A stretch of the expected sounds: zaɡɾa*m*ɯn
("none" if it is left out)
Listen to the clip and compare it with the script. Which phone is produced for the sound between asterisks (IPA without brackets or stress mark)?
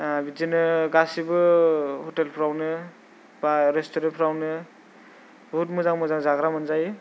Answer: m